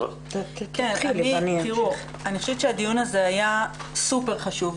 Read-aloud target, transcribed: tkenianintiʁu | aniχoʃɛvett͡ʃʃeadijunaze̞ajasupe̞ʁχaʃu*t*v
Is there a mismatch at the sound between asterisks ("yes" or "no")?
yes